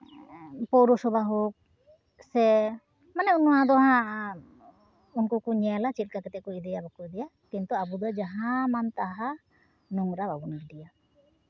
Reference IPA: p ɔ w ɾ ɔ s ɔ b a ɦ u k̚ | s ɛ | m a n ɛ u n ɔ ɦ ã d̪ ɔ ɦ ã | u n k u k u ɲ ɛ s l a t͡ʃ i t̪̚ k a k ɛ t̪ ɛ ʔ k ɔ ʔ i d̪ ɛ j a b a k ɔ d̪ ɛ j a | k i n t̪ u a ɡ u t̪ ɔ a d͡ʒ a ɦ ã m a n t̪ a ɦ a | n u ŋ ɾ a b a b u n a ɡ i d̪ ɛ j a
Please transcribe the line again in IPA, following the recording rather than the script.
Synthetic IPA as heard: p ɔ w ɾ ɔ s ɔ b a ɦ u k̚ | s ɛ | m a n ɛ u n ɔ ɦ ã d̪ ɔ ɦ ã | u n k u k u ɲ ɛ l a t͡ʃ i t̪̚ k a k ɛ t̪ ɛ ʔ k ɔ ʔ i d̪ ɛ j a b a k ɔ d̪ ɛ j a | k i n t̪ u a b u d̪ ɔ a d͡ʒ a ɦ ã m a n t̪ a ɦ a | n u ŋ ɾ a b a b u n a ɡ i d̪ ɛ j a